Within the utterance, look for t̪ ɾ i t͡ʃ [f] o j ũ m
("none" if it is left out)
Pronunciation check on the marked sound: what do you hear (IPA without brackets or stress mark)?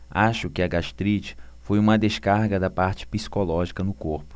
f